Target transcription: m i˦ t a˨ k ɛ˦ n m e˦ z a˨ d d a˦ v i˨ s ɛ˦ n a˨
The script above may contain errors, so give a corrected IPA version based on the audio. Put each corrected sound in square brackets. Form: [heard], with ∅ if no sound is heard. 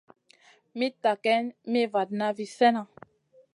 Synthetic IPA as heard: m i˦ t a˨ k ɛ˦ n m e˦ [v] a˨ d [n] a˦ v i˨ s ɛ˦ n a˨